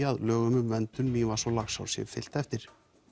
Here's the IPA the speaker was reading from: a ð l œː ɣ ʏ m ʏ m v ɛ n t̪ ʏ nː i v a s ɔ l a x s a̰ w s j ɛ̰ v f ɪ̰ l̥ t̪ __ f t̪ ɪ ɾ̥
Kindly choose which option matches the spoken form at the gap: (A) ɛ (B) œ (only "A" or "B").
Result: A